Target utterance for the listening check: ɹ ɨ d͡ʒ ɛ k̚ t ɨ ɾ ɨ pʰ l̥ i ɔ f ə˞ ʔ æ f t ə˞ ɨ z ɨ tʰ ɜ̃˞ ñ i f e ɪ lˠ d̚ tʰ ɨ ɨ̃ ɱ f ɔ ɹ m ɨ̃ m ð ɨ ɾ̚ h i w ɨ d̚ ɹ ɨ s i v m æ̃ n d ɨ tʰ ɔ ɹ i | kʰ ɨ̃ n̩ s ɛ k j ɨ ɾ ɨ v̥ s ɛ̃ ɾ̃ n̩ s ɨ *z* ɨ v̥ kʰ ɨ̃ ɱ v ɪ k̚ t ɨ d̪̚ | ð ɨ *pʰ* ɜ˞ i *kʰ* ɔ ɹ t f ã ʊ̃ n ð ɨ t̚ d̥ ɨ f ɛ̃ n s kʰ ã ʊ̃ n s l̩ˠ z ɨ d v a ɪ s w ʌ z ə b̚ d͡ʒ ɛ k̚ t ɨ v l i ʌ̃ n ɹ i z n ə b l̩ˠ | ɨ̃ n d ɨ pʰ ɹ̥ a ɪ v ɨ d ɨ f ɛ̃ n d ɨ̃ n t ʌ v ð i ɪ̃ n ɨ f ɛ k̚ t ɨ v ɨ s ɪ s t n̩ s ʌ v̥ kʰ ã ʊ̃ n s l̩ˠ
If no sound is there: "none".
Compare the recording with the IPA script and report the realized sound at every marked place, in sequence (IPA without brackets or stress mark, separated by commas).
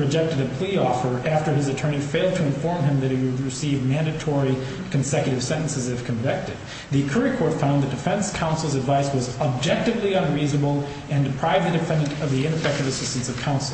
z, kʰ, kʰ